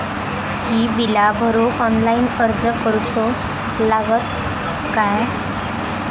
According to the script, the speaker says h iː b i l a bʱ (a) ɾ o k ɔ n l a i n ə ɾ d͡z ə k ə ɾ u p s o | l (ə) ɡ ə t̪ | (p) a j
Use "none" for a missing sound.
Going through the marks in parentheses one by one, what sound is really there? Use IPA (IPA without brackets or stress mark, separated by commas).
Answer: ə, a, k